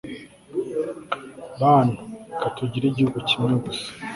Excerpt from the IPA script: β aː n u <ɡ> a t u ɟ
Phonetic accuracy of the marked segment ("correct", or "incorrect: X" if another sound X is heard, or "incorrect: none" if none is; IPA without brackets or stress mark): incorrect: k